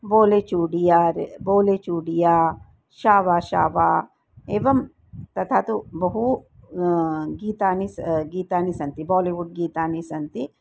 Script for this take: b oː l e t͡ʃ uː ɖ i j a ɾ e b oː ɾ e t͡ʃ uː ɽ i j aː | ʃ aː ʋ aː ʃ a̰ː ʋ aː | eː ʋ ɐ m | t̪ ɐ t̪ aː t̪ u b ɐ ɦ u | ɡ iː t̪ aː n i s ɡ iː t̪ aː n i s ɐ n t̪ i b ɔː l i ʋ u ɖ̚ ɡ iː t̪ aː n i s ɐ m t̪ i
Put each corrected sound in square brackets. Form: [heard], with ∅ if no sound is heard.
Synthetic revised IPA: b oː l e t͡ʃ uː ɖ i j a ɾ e b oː [l] e t͡ʃ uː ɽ i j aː | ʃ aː ʋ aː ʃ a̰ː ʋ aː | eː ʋ ɐ m | t̪ ɐ [t̪ʰ] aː t̪ u b ɐ ɦ u | ɡ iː t̪ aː n i s ɡ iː t̪ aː n i s ɐ n t̪ i b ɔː l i ʋ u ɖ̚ ɡ iː t̪ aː n i s ɐ [n] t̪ i